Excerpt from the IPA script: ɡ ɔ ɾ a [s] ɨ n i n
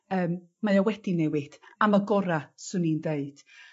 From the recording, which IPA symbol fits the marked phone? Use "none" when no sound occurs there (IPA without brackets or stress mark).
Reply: s